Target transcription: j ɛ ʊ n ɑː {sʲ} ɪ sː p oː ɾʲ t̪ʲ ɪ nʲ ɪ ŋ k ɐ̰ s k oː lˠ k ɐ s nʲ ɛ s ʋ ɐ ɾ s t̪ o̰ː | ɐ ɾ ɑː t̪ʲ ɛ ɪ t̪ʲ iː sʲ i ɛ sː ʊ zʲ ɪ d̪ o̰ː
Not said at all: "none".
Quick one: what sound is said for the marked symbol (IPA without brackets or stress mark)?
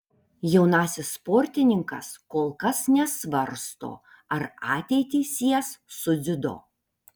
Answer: sʲ